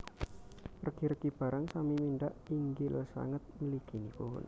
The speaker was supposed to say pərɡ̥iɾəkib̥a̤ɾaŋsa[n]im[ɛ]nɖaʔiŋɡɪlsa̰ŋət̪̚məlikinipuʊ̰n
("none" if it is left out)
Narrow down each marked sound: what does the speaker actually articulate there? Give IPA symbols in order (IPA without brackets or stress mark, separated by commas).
m, i